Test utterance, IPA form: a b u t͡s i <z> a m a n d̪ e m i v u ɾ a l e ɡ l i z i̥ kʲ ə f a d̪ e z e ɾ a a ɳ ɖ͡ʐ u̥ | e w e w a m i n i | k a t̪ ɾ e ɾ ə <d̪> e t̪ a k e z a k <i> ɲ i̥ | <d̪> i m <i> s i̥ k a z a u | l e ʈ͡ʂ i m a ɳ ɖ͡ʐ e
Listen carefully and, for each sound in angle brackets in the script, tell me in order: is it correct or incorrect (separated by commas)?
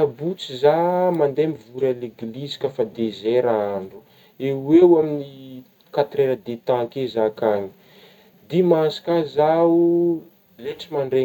correct, correct, incorrect, correct, incorrect